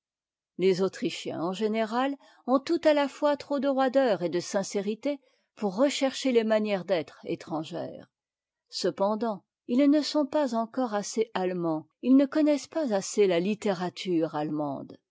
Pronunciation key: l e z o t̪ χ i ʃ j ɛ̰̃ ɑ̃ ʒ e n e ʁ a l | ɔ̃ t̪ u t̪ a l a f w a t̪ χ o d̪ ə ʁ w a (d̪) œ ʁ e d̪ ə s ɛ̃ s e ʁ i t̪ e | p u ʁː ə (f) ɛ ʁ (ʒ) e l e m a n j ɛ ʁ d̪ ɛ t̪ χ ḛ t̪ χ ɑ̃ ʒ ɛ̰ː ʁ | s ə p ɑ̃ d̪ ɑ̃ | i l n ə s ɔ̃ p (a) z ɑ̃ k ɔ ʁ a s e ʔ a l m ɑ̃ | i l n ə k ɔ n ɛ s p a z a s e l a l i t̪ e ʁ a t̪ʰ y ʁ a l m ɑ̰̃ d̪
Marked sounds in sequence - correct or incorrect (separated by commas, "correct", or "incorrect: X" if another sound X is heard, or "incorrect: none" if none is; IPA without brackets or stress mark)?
correct, incorrect: ʃ, incorrect: ʃ, correct